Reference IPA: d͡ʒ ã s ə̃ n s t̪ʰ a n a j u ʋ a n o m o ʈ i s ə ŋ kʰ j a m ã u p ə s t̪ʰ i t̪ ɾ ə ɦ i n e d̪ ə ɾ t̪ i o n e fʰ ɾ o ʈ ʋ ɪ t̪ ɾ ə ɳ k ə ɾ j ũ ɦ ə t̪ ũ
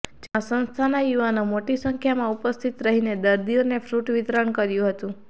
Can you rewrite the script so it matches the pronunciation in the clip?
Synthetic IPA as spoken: d͡ʒ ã s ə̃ n s t̪ʰ a n a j u ʋ a n o m o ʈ i s ə ŋ kʰ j a m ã u p ə s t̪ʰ i t̪ ɾ ə ɦ i n e d̪ ə ɾ d̪ i o n e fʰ ɾ u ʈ ʋ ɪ t̪ ɾ ə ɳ k ə ɾ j ũ ɦ ə t̪ ũ